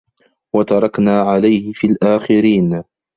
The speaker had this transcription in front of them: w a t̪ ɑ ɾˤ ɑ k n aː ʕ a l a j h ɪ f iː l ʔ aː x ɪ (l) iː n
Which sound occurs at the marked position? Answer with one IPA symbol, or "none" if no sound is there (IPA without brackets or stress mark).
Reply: ɾ